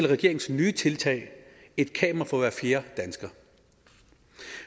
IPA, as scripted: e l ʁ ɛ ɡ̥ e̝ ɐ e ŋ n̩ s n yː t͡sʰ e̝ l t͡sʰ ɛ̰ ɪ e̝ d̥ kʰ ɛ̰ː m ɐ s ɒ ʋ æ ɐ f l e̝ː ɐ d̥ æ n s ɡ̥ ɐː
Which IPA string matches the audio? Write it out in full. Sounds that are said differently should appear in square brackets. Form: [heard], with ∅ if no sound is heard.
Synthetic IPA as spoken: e l ʁ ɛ ɡ̥ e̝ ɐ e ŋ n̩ s n yː t͡sʰ e̝ l t͡sʰ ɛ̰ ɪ e̝ d̥ kʰ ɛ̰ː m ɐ [f] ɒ ʋ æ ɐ f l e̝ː ɐ d̥ æ n s ɡ̥ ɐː